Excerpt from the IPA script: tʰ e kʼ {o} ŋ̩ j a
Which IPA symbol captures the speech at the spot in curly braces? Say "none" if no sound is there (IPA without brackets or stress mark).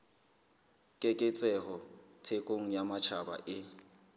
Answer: o